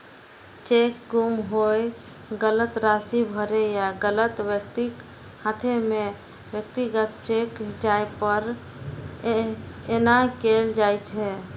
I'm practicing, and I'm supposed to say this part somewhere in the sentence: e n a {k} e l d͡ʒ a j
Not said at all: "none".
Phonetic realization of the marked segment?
k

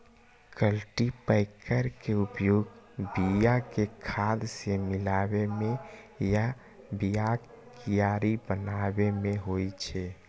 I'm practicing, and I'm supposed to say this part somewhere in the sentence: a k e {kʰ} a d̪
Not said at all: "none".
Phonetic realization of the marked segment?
kʰ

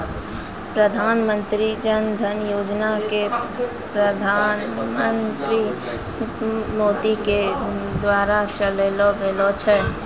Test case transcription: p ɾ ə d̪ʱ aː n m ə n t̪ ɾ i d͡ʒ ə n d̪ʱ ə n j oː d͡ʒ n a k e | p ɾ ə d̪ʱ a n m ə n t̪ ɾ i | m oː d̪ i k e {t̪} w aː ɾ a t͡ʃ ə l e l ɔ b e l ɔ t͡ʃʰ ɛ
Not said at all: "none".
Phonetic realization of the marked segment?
d̪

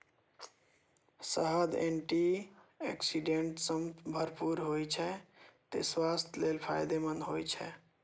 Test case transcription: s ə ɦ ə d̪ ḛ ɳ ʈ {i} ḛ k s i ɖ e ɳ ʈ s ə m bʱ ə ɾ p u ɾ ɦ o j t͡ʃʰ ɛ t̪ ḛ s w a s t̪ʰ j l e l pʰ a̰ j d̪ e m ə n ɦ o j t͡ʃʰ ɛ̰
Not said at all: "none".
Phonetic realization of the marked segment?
i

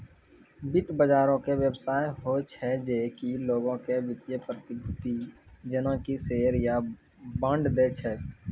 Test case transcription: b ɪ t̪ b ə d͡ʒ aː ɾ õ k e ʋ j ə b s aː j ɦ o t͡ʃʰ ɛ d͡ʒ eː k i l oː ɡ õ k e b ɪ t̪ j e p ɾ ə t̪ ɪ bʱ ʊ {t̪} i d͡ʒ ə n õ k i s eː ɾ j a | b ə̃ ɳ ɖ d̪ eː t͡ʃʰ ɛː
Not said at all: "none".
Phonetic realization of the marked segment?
t̪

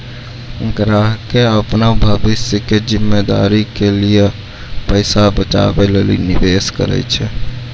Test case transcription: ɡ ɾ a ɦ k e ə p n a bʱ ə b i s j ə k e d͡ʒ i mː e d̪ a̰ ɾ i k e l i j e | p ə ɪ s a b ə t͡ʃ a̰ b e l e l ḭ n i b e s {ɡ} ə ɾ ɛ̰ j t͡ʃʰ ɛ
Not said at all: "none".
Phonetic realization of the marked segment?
k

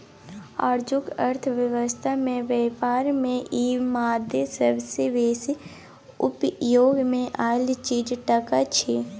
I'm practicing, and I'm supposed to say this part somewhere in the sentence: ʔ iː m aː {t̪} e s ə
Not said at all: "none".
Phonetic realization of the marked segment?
d̪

